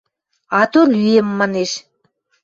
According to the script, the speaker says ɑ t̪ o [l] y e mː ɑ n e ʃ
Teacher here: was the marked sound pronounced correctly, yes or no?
yes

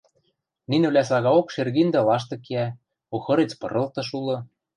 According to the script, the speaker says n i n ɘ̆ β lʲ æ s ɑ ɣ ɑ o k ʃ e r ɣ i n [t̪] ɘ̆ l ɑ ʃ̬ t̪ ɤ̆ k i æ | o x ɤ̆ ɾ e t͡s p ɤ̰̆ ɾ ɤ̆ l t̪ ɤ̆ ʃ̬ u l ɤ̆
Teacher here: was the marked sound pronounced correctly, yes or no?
no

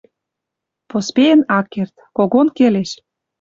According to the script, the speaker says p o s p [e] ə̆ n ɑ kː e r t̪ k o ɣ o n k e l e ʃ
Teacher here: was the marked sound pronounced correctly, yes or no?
yes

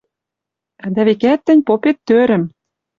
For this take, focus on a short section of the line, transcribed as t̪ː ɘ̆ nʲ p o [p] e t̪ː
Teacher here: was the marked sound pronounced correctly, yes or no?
yes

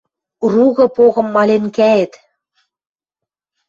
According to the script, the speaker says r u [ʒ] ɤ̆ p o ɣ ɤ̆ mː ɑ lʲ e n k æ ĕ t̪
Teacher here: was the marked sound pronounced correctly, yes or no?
no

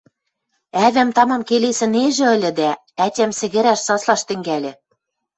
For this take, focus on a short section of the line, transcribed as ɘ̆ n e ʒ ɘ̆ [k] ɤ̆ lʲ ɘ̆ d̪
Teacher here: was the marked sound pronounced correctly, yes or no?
no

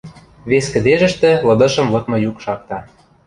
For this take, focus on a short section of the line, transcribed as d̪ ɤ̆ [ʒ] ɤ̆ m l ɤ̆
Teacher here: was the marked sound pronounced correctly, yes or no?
no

